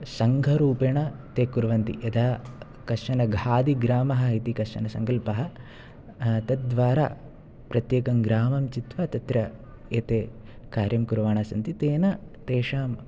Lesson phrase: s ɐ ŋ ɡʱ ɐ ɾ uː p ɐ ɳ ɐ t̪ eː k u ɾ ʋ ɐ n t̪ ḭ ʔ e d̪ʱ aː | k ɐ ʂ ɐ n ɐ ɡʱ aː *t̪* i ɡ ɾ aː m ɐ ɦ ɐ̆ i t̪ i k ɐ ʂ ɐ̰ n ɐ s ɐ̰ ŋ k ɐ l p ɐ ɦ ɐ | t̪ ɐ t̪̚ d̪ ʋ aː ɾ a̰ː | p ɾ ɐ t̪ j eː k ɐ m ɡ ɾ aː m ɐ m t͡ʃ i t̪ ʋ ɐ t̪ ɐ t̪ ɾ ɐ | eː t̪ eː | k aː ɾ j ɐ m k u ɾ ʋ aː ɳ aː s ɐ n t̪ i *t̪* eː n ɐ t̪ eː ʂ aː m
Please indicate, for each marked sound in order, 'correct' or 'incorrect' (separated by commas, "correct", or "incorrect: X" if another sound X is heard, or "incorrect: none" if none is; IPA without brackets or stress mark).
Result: incorrect: d̪, correct